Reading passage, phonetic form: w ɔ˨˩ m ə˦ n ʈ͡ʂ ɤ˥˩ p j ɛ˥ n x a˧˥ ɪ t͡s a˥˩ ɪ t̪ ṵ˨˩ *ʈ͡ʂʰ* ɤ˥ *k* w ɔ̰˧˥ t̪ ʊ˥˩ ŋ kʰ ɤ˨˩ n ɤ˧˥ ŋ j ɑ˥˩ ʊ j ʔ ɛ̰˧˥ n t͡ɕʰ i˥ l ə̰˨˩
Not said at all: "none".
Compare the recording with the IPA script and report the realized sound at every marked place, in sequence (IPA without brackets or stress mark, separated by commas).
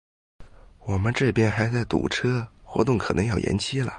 ʈ͡ʂʰ, x